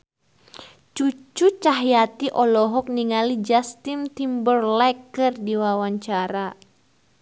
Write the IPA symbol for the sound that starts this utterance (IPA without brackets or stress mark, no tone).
t͡ʃ